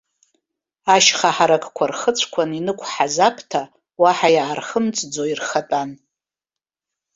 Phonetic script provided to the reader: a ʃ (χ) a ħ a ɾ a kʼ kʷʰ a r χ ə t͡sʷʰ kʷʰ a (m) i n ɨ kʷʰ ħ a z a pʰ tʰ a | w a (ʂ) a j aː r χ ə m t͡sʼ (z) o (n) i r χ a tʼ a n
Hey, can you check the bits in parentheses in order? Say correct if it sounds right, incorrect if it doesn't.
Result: correct, incorrect: n, incorrect: ħ, incorrect: d͡z, incorrect: none

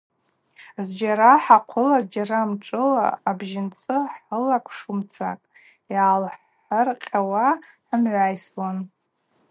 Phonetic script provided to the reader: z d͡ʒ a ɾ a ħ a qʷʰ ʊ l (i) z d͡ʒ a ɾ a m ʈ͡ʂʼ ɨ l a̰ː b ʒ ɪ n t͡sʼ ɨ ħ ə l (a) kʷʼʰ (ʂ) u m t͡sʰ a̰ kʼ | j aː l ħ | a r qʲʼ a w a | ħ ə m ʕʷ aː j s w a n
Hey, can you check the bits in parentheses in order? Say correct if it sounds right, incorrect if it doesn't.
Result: incorrect: a, correct, correct

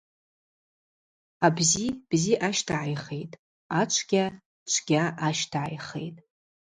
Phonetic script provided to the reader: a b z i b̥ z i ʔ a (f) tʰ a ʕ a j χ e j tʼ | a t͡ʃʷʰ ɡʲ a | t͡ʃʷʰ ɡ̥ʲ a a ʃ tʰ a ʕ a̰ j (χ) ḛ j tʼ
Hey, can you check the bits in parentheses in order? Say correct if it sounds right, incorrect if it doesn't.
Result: incorrect: ʃ, correct

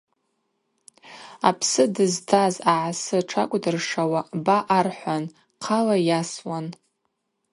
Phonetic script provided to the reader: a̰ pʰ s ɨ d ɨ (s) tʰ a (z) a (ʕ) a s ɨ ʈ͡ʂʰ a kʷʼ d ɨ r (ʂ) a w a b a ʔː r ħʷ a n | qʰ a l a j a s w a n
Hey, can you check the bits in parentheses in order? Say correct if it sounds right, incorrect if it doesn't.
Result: incorrect: z, correct, correct, correct

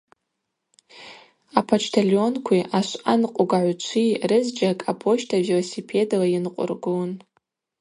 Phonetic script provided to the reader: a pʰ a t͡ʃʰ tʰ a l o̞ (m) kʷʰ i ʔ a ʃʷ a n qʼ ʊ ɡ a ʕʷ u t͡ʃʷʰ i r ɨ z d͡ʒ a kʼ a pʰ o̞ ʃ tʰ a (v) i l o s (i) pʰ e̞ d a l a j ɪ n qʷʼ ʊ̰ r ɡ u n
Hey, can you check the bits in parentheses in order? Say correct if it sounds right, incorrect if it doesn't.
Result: incorrect: n, correct, correct

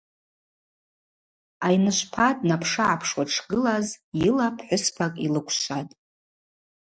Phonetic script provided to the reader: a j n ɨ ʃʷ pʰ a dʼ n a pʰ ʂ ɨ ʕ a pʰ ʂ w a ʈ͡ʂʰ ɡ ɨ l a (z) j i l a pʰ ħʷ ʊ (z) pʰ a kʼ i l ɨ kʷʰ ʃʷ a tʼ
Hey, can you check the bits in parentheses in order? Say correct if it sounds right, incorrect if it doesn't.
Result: correct, incorrect: s

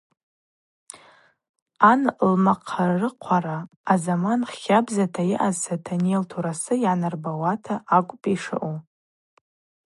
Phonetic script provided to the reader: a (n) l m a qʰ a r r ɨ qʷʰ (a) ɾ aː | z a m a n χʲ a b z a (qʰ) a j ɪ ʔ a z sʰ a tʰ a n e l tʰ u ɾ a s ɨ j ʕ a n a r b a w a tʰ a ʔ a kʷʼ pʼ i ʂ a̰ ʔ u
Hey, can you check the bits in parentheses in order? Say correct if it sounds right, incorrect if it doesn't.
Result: correct, correct, incorrect: tʰ

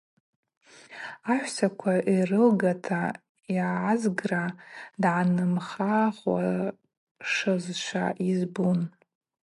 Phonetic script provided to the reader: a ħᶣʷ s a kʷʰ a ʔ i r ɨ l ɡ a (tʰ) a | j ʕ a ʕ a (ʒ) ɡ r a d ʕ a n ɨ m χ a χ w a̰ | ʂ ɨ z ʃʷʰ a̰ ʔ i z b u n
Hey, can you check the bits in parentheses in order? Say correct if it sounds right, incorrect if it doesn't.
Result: correct, incorrect: z

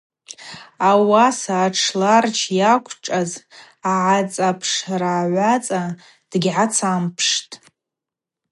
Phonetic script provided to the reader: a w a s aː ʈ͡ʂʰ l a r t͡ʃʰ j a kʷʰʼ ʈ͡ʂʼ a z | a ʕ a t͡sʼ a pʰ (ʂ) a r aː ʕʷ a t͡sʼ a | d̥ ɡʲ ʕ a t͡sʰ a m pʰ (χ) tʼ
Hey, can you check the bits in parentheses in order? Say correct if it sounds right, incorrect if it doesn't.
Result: correct, incorrect: ʂ

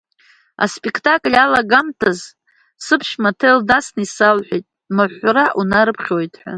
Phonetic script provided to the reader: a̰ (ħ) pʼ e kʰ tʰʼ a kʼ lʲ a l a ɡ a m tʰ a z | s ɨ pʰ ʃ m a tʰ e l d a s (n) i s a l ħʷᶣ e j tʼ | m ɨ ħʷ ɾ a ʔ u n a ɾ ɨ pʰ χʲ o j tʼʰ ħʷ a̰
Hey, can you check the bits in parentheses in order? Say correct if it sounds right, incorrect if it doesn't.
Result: incorrect: s, correct

